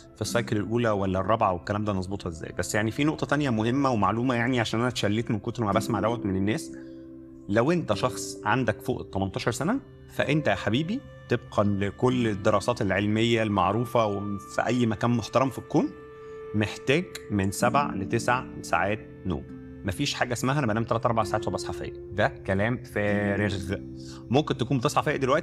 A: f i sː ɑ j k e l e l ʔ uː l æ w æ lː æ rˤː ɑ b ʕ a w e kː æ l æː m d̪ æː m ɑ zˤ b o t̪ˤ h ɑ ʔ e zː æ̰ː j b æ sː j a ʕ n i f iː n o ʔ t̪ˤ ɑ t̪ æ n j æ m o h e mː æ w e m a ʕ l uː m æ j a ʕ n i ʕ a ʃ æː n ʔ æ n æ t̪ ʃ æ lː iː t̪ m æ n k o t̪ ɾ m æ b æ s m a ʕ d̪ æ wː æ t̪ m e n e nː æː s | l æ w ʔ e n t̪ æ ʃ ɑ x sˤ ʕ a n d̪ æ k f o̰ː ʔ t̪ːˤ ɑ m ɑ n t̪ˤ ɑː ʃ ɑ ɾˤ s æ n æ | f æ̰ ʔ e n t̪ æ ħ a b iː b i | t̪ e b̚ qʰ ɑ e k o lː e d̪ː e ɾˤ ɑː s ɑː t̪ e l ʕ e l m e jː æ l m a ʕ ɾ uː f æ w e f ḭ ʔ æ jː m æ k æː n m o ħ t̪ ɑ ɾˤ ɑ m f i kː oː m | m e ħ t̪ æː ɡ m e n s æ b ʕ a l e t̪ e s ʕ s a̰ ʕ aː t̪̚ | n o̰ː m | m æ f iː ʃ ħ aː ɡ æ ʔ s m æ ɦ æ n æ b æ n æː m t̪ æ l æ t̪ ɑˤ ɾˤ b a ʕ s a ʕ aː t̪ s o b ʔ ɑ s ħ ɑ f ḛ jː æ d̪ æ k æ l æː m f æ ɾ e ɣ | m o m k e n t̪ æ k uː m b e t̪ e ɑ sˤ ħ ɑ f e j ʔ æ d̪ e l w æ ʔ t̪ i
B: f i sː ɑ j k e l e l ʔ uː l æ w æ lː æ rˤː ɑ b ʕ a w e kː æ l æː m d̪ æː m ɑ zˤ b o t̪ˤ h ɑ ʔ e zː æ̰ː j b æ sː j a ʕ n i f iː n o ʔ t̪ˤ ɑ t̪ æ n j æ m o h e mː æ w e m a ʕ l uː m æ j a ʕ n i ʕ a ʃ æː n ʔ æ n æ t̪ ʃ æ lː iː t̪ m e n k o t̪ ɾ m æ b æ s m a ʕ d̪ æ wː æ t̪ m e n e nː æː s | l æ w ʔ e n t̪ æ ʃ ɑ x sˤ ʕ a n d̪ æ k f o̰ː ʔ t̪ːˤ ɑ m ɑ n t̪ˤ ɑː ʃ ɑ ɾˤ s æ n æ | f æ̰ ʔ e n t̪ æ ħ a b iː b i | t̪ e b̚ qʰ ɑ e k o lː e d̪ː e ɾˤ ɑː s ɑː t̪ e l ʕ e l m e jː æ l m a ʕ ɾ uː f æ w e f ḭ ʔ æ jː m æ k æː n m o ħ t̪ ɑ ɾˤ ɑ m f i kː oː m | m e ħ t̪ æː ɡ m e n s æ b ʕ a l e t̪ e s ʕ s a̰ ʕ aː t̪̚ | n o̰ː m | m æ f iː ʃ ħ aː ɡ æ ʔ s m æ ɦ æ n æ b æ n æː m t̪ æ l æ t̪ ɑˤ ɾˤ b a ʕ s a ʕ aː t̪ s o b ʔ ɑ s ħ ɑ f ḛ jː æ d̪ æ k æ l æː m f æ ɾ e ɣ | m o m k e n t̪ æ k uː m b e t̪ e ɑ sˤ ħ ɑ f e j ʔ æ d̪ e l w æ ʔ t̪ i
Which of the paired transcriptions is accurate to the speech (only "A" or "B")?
B